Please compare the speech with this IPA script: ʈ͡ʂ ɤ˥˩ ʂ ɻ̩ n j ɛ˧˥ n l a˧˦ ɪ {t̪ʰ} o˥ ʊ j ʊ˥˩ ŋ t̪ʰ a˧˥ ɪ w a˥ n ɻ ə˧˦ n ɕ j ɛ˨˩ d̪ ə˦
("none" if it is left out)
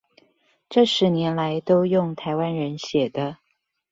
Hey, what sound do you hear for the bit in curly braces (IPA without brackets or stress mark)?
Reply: t̪